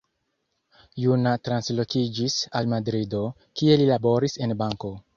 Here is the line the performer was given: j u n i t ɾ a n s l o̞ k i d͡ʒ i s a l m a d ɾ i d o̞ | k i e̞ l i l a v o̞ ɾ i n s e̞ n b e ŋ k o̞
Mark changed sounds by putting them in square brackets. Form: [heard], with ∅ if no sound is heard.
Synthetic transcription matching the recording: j u n [a] t ɾ a n s l o̞ k i d͡ʒ i s a l m a d ɾ i d o̞ | k i e̞ l i l a [b] o̞ ɾ i [∅] s e̞ n b [a] ŋ k o̞